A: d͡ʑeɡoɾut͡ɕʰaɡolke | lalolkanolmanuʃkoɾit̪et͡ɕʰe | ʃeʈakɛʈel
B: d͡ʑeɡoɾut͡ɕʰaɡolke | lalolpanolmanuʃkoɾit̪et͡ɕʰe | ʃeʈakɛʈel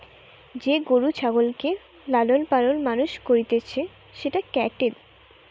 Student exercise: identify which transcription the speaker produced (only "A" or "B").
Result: B